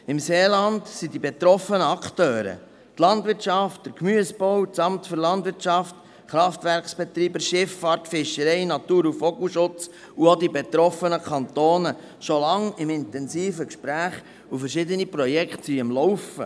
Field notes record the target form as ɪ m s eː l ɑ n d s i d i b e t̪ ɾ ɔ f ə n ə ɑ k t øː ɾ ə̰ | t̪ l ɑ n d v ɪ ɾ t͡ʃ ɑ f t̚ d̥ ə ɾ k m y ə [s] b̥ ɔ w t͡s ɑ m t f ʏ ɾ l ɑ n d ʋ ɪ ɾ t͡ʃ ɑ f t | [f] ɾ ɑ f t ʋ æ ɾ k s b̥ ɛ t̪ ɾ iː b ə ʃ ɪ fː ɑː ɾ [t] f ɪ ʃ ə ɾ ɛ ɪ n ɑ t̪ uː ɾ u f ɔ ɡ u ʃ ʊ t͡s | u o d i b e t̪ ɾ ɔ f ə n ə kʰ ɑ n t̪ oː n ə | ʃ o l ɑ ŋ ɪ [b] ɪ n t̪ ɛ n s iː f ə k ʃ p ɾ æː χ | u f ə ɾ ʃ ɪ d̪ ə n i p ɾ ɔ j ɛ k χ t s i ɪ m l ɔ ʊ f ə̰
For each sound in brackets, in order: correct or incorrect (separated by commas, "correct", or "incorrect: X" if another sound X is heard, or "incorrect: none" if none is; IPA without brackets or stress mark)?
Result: correct, incorrect: χ, correct, incorrect: m